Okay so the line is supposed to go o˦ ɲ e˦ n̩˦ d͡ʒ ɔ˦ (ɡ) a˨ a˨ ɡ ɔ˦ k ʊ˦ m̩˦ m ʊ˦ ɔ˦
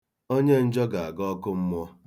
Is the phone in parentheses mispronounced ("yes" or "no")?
no